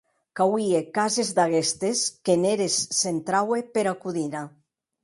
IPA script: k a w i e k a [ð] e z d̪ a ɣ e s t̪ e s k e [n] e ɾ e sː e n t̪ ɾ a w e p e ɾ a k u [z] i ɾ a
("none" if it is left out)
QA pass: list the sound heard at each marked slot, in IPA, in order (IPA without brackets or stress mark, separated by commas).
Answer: z, n, ð